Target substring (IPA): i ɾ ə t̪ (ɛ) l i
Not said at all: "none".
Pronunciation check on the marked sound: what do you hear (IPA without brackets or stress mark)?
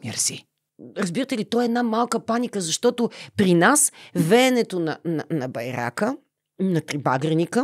ɛ